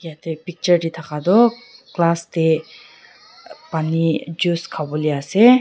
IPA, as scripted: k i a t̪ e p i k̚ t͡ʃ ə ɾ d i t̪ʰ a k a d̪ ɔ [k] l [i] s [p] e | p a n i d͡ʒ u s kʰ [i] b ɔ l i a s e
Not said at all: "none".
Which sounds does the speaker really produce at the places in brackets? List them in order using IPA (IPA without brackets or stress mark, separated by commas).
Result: k, a, t, a